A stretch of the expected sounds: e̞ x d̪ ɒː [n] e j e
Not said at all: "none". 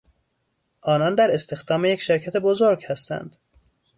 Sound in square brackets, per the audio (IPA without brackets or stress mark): m